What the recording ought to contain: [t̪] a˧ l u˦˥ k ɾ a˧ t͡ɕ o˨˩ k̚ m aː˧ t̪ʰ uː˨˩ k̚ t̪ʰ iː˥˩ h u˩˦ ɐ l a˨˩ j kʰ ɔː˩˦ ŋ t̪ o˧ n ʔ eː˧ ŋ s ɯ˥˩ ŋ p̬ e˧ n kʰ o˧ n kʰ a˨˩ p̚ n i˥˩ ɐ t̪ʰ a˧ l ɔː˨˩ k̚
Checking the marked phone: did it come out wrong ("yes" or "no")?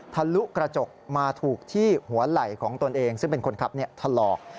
yes